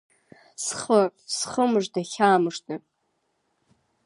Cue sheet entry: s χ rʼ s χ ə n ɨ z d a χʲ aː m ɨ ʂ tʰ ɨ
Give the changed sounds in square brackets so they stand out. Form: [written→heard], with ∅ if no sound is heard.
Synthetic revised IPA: s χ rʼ s χ ə [n→m] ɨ [z→ʐ] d a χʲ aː m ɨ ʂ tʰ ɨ